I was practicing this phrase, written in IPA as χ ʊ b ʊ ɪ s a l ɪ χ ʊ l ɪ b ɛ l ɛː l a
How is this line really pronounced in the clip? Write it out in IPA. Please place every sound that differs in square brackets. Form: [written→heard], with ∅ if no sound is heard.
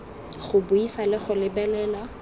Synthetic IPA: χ ʊ b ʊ [ɪ→i] s a l ɪ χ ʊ l ɪ b ɛ l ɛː l a